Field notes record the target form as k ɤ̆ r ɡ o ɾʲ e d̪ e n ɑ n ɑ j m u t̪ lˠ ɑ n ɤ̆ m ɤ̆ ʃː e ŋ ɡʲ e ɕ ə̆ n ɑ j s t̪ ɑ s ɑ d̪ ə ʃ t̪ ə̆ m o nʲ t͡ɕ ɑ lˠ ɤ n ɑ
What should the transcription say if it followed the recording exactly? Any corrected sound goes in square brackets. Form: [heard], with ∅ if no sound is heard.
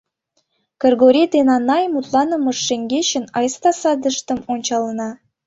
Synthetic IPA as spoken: k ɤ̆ r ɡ o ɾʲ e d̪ e n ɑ n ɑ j m u t̪ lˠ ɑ n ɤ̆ m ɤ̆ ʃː e ŋ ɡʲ e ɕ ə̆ n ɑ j s t̪ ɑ s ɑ d̪ ə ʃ t̪ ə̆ m o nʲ t͡ɕ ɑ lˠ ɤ n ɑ